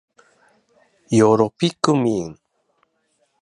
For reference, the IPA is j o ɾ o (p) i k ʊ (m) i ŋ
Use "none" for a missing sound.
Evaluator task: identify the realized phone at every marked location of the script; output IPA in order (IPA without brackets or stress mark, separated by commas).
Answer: p, m